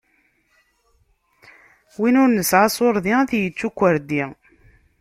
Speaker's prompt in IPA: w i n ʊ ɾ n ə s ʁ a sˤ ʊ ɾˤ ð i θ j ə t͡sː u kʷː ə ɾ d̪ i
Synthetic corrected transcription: w i n ʊ ɾ n ə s ʕ a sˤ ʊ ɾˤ ð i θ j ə t͡sː u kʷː ə ɾ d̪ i